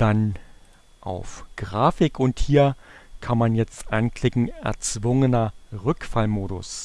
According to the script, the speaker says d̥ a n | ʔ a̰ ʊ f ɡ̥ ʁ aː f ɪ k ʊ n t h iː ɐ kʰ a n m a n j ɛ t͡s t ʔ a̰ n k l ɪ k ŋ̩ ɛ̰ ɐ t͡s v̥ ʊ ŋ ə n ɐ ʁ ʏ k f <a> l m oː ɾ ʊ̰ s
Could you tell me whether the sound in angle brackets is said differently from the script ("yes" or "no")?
no